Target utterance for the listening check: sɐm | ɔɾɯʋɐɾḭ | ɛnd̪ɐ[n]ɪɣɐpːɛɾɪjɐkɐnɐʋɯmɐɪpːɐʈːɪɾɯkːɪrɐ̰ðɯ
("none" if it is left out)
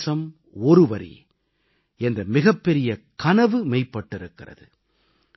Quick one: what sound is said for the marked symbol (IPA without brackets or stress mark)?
m